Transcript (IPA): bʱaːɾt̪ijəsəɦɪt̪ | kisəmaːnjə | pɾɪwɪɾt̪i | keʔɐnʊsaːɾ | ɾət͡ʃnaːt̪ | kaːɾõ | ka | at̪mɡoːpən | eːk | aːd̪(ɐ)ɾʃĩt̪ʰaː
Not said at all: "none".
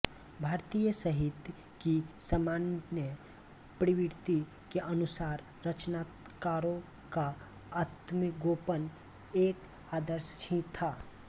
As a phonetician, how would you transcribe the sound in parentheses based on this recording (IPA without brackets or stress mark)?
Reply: ə